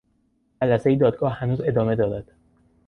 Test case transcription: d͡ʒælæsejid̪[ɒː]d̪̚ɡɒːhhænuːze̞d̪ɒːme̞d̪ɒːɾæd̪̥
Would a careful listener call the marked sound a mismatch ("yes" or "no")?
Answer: no